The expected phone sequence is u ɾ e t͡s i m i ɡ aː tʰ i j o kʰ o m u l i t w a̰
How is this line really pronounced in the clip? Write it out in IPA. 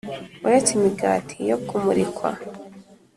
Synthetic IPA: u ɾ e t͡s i m i ɡ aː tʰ i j o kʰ u m u ɾ i k w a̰